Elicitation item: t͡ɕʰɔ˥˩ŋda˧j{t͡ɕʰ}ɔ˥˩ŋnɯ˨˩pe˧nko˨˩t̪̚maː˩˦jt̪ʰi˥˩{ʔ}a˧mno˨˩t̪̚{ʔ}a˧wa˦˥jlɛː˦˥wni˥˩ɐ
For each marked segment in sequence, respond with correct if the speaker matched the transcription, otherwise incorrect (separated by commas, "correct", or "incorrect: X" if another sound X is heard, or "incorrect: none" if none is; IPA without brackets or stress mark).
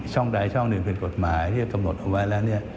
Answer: correct, incorrect: k, correct